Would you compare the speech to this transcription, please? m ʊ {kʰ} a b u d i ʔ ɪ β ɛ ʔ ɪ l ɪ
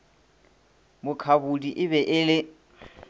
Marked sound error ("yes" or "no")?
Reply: no